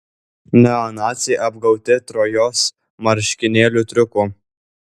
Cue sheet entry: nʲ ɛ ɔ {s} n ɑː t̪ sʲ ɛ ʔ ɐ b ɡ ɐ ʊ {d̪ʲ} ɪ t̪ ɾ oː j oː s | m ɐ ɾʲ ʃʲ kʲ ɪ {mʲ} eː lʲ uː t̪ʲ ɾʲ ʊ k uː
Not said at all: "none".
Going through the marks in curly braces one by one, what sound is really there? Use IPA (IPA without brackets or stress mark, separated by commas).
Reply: none, t̪ʲ, nʲ